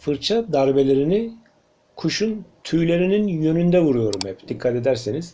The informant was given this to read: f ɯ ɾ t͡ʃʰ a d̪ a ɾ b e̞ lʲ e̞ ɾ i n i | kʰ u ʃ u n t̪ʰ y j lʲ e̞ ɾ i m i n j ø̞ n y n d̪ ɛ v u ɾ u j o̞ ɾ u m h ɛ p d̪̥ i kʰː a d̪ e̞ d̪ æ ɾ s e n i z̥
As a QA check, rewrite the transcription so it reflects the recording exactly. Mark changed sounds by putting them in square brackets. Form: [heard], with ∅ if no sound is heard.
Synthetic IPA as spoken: f ɯ ɾ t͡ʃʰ a d̪ a ɾ b e̞ lʲ e̞ ɾ i n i | kʰ u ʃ u n t̪ʰ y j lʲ e̞ ɾ i [n] i n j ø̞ n y n d̪ ɛ v u ɾ u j o̞ ɾ u m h ɛ p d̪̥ i kʰː a [t̪] e̞ d̪ æ ɾ s e n i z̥